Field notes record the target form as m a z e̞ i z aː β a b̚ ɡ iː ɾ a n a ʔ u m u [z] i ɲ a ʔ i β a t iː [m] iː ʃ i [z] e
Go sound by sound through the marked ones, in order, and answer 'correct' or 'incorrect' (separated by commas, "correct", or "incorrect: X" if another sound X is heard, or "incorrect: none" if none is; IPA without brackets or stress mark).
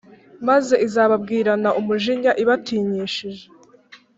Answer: incorrect: ʒ, incorrect: ɲ, incorrect: ʒ